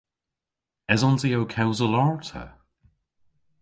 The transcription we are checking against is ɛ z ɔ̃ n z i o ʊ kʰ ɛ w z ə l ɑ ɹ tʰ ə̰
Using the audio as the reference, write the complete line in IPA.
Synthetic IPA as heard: ɛ z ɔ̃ n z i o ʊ kʰ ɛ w z ə l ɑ ɹ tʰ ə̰